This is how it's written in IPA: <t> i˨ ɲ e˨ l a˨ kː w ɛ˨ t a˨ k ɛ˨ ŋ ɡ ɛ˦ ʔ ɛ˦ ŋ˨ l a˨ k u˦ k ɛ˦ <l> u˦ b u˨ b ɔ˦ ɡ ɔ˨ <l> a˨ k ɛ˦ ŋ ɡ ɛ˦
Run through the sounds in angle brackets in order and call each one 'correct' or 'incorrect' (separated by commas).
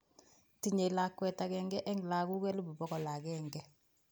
correct, correct, correct